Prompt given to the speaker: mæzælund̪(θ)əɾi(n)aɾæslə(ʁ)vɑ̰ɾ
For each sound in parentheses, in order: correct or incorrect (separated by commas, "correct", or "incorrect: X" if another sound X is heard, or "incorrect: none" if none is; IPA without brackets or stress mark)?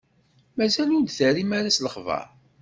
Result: correct, incorrect: m, incorrect: χ